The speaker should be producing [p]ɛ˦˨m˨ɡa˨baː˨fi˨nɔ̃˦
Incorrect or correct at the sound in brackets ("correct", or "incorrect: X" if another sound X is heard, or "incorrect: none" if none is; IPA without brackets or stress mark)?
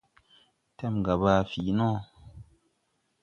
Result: incorrect: t